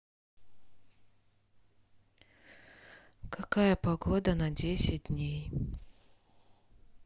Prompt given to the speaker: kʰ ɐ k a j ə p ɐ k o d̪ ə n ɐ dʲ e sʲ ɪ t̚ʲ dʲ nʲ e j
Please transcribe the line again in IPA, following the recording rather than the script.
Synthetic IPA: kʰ ɐ k a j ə p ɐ ɡ o d̪ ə n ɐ dʲ e sʲ ɪ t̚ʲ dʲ nʲ e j